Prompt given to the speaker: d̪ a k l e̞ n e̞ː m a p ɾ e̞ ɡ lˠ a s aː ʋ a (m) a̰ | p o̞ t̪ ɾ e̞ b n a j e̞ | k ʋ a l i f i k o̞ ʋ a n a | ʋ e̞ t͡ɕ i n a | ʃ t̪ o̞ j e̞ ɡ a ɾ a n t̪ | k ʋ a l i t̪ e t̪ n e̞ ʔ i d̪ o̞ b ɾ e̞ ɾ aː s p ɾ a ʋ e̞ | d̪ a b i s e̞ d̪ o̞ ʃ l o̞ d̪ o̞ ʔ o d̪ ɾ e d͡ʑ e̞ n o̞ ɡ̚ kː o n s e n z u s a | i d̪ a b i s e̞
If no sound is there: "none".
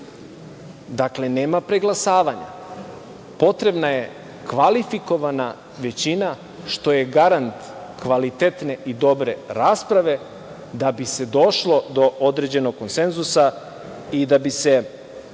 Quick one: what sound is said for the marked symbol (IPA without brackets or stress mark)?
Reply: ɲ